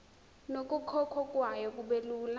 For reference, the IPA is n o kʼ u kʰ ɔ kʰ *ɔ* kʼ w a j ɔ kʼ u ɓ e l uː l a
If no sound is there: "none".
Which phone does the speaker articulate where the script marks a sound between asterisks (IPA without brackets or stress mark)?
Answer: ɔ